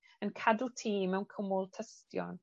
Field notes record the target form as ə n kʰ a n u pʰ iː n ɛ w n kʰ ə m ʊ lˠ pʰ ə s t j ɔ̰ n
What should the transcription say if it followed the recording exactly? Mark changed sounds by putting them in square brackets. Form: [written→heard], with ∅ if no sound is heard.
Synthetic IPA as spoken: ə n kʰ a [n→d] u [pʰ→tʰ] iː [n→m] ɛ w n kʰ ə m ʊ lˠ [pʰ→tʰ] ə s t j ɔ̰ n